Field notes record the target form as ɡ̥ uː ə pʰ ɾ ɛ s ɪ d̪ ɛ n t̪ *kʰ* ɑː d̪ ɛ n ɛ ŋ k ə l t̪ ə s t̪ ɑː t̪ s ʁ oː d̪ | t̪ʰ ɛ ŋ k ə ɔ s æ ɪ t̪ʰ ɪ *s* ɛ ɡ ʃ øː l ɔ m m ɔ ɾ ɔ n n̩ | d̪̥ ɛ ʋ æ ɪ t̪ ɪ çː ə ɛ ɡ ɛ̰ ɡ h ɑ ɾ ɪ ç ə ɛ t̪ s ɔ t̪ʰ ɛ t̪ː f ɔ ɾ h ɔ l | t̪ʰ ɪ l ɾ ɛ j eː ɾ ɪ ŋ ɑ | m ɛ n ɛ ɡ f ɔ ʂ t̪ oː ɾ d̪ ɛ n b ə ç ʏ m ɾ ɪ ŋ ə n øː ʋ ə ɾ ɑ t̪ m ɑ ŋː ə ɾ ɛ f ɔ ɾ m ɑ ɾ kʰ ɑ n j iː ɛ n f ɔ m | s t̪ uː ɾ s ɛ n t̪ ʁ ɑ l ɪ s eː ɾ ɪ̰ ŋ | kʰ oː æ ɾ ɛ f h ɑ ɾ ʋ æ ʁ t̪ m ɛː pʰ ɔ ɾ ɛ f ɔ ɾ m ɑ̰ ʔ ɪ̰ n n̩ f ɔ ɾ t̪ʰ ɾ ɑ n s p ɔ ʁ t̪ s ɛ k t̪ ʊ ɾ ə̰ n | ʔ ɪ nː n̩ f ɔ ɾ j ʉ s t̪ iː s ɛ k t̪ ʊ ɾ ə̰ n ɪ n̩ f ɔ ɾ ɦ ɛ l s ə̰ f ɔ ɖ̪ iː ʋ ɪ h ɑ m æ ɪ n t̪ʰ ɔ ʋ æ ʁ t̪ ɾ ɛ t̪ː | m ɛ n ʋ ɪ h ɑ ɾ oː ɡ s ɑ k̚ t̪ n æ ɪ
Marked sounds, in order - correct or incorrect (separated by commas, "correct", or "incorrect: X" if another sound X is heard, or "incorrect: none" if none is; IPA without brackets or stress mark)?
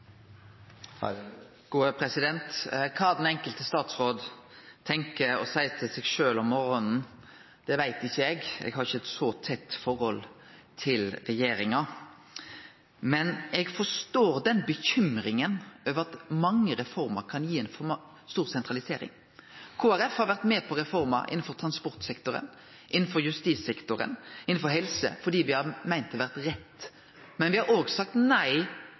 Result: correct, correct